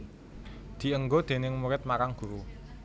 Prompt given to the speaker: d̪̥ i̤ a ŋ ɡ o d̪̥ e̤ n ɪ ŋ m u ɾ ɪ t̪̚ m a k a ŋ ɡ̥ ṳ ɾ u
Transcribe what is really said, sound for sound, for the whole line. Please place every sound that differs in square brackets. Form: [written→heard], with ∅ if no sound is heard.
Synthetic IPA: d̪̥ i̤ [a→ə] ŋ ɡ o d̪̥ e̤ n ɪ ŋ m u ɾ ɪ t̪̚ m a k a ŋ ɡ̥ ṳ ɾ u